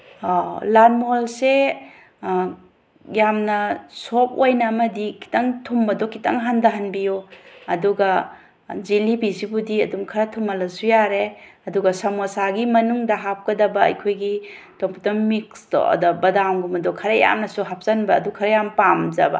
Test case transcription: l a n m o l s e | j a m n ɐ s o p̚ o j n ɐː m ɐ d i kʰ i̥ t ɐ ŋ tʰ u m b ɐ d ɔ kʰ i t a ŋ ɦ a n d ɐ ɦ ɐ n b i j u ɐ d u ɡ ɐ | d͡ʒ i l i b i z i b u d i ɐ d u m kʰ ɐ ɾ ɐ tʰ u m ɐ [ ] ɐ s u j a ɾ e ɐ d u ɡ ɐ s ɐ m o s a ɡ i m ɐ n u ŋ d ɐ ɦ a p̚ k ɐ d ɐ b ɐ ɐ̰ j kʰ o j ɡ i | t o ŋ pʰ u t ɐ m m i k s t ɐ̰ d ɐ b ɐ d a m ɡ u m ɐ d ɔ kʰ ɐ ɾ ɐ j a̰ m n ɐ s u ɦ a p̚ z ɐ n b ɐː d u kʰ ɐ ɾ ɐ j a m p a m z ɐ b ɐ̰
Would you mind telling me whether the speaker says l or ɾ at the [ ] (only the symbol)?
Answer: l